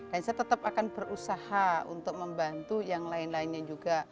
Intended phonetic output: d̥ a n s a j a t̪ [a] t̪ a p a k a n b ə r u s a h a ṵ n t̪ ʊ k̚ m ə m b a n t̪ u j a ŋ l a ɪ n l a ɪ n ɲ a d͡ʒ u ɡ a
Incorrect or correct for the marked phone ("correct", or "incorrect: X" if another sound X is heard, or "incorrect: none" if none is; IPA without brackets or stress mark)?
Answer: incorrect: ə